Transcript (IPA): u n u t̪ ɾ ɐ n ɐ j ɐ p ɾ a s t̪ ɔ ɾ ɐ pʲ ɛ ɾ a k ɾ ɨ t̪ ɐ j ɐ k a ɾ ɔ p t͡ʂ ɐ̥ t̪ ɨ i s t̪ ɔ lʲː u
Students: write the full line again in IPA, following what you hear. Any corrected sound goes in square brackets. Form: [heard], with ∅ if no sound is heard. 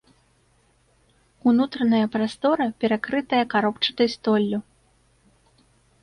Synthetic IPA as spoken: u n u t̪ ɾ ɐ n ɐ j ɐ p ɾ a s t̪ ɔ ɾ ɐ pʲ ɛ ɾ a k ɾ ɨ t̪ ɐ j ɐ k a ɾ ɔ p t͡ʂ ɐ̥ t̪ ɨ [j] s t̪ ɔ lʲː u

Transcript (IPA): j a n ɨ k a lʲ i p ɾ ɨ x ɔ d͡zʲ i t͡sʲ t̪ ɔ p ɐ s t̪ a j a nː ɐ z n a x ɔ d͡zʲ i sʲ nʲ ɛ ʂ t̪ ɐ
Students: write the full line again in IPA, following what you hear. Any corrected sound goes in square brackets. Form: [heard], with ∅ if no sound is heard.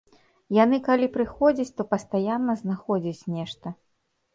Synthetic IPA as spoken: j a n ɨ k a lʲ i p ɾ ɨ x ɔ d͡zʲ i t͡sʲ t̪ ɔ p ɐ s t̪ a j a nː ɐ z n a x ɔ d͡zʲ i [t͡sʲ] nʲ ɛ ʂ t̪ ɐ

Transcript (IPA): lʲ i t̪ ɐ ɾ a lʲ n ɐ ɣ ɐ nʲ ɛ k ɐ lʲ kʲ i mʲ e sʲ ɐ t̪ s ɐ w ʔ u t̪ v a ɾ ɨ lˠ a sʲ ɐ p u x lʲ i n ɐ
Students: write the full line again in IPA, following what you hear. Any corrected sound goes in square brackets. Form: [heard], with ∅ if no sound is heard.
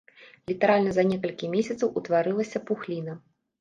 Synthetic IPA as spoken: lʲ i t̪ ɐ ɾ a lʲ n ɐ [z] ɐ nʲ ɛ k ɐ lʲ kʲ i mʲ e sʲ ɐ t̪ s ɐ w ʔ u t̪ v a ɾ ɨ lˠ [ɐ] sʲ ɐ p u x lʲ i n ɐ

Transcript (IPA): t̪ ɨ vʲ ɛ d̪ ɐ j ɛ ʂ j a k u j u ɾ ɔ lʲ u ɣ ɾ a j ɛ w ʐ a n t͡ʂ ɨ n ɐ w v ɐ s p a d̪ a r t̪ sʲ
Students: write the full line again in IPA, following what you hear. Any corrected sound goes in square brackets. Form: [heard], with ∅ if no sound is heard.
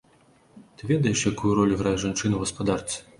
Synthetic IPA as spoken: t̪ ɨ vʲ ɛ d̪ ɐ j ɛ ʂ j a k u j u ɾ ɔ lʲ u ɣ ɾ a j ɛ [∅] ʐ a n t͡ʂ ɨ n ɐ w [ɣ] ɐ s p a d̪ a r t̪ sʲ

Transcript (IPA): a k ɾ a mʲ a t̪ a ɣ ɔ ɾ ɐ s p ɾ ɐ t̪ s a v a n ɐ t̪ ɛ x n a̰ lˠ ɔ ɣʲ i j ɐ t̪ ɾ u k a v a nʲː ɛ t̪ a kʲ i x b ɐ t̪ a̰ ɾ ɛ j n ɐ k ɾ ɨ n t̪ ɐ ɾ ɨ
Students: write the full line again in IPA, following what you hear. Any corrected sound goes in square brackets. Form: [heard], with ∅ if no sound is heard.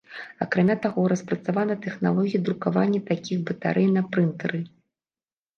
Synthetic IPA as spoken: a k ɾ a mʲ a t̪ a ɣ ɔ ɾ ɐ s p ɾ ɐ t̪ s a v a n ɐ t̪ ɛ x n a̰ lˠ ɔ ɣʲ i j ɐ [d̪] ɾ u k a v a nʲː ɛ t̪ a kʲ i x b ɐ t̪ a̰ ɾ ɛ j n ɐ [p] ɾ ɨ n t̪ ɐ ɾ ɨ

